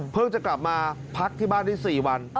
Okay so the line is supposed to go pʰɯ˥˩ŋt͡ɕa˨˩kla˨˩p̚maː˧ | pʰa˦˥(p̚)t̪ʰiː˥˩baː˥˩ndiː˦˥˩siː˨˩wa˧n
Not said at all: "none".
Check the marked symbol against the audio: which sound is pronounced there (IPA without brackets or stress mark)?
k̚